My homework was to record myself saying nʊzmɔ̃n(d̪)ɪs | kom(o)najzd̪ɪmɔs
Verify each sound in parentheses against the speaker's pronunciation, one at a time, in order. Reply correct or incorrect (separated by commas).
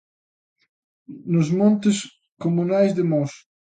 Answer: incorrect, incorrect